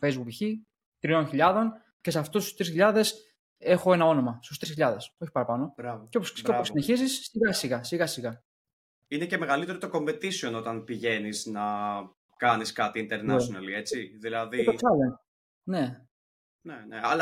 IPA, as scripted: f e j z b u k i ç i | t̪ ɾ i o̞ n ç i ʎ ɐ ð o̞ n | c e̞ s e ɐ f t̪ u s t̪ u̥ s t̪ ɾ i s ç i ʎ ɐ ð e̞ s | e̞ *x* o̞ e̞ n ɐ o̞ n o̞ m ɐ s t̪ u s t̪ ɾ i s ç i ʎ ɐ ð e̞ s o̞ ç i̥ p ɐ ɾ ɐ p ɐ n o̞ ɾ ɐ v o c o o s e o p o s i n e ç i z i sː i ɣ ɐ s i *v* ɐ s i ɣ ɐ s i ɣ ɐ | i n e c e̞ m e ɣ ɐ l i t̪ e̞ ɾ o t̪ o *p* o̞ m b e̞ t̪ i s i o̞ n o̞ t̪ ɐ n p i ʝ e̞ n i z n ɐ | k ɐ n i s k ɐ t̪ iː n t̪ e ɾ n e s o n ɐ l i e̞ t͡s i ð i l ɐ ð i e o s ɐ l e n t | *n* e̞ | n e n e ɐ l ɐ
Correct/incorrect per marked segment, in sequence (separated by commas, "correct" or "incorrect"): correct, incorrect, incorrect, correct